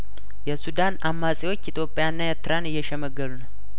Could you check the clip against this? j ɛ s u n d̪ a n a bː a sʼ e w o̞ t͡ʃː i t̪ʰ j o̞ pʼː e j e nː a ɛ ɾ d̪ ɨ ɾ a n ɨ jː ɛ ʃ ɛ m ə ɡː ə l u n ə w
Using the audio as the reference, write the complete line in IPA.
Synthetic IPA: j ɛ s u d̪ a n a mː a sʼ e w o̞ t͡ʃː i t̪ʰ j o̞ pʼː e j a nː a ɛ ɾ t̪ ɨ ɾ a n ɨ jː ɛ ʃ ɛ m ə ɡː ə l u n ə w